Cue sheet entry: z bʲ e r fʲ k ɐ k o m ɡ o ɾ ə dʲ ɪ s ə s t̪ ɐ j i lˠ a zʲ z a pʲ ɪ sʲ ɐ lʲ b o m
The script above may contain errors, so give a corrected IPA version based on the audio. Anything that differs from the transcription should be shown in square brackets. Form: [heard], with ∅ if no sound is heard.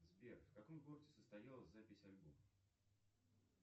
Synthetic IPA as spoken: z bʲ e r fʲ k ɐ k o m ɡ o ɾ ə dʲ ɪ s ə s t̪ ɐ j [a] lˠ [ə] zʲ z a pʲ ɪ sʲ ɐ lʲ b o m